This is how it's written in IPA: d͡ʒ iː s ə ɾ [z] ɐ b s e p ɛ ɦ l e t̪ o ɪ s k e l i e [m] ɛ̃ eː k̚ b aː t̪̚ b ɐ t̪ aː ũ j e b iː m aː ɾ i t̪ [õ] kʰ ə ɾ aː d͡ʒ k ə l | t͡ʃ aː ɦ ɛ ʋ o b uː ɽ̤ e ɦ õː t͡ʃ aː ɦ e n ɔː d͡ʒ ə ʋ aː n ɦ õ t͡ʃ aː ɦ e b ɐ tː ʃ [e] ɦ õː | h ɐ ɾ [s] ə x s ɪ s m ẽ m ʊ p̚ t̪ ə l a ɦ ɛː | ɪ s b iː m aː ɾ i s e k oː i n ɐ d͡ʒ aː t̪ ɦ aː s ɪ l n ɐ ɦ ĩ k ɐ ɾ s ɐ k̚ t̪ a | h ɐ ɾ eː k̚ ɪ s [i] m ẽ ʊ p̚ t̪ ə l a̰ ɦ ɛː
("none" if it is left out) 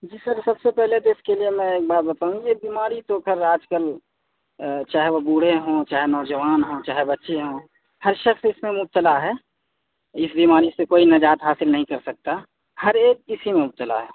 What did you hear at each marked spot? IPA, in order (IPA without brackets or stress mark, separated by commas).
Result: s, m, o, e, ʃ, i